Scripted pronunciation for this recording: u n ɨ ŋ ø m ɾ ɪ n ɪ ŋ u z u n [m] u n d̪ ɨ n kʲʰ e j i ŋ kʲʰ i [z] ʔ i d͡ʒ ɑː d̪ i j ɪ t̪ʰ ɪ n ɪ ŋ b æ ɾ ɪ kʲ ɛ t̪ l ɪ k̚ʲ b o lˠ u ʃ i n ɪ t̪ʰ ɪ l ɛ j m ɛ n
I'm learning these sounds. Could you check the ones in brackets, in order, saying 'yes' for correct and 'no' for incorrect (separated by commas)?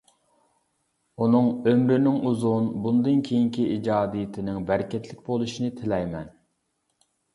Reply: no, no